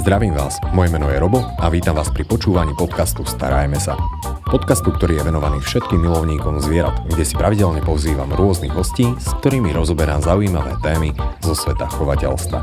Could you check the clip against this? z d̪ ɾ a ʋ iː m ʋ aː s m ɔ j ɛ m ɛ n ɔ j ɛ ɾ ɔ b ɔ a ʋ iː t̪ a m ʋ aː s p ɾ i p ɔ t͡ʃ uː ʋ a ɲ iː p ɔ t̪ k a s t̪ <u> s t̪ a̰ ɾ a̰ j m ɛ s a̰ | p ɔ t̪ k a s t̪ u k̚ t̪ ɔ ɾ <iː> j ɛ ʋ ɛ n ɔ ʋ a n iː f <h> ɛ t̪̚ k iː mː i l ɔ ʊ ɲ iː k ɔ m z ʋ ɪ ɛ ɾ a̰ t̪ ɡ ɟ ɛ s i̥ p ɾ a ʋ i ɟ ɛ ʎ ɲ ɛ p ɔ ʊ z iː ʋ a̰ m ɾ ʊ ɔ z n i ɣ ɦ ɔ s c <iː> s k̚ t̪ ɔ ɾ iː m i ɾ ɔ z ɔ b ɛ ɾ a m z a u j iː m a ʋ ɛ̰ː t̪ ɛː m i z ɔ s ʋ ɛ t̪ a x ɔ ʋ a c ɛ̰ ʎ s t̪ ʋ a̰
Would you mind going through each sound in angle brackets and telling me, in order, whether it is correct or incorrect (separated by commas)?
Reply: correct, correct, incorrect, correct